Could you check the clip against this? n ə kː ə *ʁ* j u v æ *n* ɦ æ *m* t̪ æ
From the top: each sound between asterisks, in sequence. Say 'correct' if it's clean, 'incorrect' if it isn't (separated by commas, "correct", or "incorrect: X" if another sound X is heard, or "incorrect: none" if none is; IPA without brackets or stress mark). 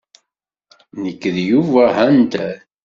incorrect: ð, incorrect: none, incorrect: n